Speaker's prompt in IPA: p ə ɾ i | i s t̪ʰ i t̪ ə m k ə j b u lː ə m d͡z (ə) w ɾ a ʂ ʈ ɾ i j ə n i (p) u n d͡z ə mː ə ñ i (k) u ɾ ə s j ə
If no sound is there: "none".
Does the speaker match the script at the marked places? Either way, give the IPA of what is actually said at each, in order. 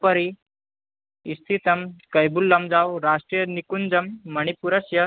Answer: a, k, p

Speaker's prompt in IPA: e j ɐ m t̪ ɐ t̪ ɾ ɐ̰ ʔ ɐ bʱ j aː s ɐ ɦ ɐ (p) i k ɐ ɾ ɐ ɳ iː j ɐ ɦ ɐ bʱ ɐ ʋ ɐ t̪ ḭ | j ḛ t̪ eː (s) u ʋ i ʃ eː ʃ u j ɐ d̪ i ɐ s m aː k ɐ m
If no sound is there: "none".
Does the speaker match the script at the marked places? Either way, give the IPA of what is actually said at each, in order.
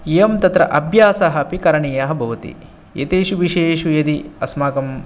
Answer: p, ʃ

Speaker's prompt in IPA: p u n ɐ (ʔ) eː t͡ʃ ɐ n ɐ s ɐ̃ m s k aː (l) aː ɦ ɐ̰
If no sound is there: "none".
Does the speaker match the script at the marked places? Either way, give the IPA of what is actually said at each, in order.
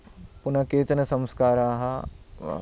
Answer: k, ɾ

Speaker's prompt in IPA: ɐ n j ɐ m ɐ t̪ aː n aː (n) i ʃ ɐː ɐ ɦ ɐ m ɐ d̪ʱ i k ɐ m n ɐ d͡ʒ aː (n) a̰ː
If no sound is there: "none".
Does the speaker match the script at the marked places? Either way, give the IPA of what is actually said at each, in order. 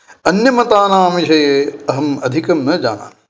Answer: m, n

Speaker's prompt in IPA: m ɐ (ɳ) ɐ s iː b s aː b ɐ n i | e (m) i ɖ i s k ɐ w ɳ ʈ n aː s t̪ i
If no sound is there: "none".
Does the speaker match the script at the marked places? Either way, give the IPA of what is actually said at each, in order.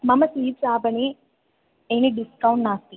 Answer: m, n

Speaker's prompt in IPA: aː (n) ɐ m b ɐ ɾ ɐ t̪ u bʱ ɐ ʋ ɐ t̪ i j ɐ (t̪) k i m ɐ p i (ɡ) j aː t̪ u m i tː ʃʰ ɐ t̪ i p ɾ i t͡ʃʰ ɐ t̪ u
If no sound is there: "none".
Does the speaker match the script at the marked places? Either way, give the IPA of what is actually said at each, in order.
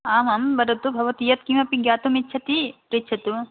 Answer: m, t̪, ɡ

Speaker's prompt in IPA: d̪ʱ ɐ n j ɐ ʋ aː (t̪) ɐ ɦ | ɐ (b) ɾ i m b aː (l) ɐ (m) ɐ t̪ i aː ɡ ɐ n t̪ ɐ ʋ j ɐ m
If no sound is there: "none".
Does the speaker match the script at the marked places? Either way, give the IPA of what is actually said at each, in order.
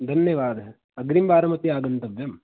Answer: d̪, ɡ, ɾ, m

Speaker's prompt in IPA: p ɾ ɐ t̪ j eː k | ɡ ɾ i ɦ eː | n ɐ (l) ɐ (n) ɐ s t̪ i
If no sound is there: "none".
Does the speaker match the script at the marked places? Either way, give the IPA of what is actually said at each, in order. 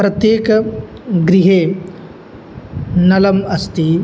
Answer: l, m

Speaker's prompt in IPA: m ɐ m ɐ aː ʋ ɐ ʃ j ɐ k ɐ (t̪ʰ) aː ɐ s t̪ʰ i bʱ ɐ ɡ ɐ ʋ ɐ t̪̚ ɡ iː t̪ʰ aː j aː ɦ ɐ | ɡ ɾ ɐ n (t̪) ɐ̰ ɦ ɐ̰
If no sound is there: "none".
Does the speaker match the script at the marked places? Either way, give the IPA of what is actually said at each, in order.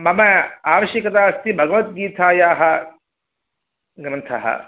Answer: t̪, t̪ʰ

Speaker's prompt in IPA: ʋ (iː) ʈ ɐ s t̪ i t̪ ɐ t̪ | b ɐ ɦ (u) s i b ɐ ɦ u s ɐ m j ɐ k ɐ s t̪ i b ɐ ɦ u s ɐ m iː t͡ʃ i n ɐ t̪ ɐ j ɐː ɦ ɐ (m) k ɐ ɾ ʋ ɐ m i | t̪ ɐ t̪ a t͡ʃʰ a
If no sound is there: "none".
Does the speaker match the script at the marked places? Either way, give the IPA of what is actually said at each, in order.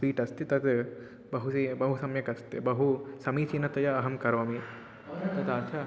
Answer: iː, u, m

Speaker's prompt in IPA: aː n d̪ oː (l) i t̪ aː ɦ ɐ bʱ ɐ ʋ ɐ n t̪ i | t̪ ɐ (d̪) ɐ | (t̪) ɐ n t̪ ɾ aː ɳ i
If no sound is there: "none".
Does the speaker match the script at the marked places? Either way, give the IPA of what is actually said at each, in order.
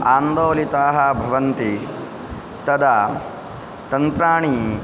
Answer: l, d̪, t̪

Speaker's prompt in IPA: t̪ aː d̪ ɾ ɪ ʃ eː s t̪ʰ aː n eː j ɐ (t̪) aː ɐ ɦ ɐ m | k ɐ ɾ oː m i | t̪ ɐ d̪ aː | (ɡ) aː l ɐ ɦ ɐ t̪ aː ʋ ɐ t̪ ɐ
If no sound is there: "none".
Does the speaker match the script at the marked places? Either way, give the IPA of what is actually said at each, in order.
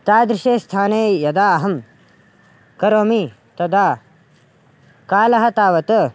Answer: d̪, k

